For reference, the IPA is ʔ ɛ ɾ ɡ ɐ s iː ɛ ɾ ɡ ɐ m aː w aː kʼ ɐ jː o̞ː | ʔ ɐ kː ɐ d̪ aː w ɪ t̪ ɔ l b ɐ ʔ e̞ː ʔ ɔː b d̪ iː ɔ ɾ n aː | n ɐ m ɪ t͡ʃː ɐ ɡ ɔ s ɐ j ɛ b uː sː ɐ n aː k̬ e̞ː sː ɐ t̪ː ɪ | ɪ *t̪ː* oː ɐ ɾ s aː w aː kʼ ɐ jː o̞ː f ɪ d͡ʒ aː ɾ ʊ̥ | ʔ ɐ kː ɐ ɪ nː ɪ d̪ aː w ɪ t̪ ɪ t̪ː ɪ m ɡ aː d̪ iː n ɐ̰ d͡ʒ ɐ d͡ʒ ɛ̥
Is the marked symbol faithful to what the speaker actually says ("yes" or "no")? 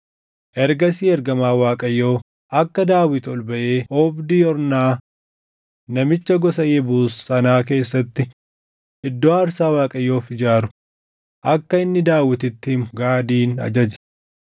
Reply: no